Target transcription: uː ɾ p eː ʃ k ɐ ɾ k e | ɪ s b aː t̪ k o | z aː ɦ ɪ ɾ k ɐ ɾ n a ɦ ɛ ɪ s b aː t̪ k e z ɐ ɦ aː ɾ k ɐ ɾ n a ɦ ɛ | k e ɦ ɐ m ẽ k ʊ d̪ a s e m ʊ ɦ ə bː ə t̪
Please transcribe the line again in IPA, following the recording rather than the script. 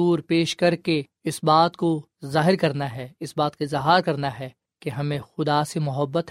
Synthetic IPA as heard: uː ɾ p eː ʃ k ɐ ɾ k e | ɪ s b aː t̪ k o | z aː ɦ ɪ ɾ k ɐ ɾ n a ɦ ɛ ɪ s b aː t̪ k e z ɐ ɦ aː ɾ k ɐ ɾ n a ɦ ɛ | k e ɦ ɐ m ẽ x ʊ d̪ a s e m ʊ ɦ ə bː ə t̪